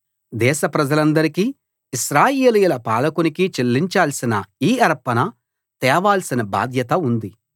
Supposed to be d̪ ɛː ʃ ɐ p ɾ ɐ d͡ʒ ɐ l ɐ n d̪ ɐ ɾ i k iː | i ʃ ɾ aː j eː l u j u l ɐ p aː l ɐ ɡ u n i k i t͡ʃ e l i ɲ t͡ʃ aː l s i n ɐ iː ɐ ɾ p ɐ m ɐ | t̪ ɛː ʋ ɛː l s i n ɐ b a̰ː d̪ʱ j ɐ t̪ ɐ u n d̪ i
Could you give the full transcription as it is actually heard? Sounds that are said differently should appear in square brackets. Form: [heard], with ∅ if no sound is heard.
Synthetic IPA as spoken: d̪ ɛː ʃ ɐ p ɾ ɐ d͡ʒ ɐ l ɐ n d̪ ɐ ɾ i k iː | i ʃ ɾ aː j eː l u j u l ɐ p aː l ɐ [k] u n i k i t͡ʃ e [lː] i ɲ t͡ʃ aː l s i n ɐ iː ɐ ɾ p ɐ [n] ɐ | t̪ ɛː ʋ [aː] l s i n ɐ b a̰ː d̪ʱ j ɐ t̪ ɐ u n d̪ i